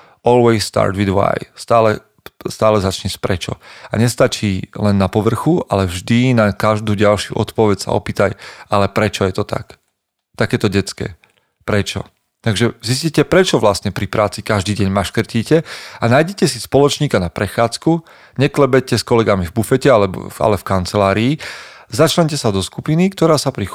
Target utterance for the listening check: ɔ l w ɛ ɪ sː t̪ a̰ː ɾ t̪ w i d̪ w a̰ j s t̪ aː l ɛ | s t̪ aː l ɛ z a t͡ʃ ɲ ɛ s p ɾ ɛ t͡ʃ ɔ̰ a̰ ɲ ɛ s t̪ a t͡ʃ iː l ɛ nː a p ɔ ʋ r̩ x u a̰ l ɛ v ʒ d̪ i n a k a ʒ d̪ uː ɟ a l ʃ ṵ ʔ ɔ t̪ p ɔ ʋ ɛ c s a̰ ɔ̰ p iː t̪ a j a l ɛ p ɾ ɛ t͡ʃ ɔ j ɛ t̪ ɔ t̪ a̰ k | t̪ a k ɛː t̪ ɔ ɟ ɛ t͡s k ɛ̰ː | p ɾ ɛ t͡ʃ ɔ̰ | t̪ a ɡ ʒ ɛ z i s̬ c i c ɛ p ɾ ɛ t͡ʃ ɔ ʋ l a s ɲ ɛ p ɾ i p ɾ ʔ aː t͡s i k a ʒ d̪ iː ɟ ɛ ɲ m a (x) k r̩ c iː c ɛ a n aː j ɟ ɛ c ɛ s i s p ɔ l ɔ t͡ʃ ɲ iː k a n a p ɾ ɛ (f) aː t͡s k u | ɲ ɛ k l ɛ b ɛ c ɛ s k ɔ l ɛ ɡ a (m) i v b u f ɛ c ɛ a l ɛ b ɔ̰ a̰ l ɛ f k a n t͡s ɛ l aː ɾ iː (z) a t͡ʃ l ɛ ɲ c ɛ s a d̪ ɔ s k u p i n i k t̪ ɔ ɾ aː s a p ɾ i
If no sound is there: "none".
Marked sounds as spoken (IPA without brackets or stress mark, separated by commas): ʃ, x, m, z